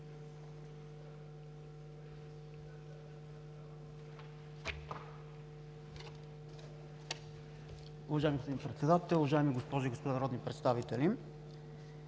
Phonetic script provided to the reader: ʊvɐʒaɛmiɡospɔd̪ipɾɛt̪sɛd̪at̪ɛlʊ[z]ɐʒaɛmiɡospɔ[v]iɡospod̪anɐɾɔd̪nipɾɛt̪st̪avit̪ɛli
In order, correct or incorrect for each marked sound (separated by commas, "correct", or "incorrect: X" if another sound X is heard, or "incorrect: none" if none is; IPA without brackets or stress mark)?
incorrect: v, incorrect: ʒ